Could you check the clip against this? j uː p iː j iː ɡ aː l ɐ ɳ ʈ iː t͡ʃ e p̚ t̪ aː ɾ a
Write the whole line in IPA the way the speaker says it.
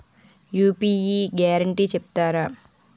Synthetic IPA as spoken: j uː p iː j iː ɡ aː ɾ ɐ ɳ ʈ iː t͡ʃ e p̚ t̪ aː ɾ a